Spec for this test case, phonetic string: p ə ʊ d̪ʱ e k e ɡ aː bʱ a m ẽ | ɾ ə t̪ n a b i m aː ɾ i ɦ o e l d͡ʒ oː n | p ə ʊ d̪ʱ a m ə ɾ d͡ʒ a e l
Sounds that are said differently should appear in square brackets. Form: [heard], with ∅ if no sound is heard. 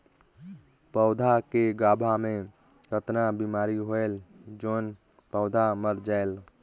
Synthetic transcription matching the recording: p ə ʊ d̪ʱ [a] k e ɡ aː bʱ a m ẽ | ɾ ə t̪ n a b i m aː ɾ i ɦ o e l d͡ʒ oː n | p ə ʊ d̪ʱ a m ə ɾ d͡ʒ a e l